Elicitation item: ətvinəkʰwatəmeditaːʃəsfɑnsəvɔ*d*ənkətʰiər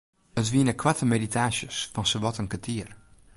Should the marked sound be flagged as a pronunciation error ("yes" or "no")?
yes